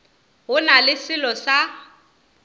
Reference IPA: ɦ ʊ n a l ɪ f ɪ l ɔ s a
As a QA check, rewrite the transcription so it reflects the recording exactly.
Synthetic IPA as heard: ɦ ʊ n a l ɪ s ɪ l ɔ s a